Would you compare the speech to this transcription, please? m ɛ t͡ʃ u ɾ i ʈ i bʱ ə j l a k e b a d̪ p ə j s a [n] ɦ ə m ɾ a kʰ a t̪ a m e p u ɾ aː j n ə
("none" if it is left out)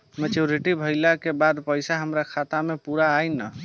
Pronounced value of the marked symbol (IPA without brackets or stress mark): none